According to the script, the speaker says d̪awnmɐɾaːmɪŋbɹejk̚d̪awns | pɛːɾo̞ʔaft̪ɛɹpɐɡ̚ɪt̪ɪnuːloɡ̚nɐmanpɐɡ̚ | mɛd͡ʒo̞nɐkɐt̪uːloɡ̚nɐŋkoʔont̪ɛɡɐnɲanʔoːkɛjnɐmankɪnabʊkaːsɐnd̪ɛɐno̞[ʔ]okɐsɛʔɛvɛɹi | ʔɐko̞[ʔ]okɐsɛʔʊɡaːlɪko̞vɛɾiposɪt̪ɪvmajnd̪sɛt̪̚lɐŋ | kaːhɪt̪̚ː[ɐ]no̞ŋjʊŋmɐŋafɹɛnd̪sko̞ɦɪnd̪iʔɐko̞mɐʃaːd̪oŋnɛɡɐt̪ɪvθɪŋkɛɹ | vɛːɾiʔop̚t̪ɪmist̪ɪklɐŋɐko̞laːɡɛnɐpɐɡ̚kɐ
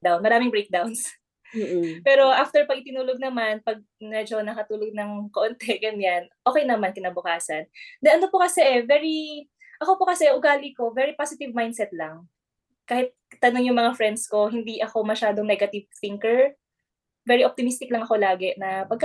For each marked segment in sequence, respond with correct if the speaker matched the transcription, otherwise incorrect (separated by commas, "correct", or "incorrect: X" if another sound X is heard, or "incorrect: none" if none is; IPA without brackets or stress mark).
incorrect: p, incorrect: p, correct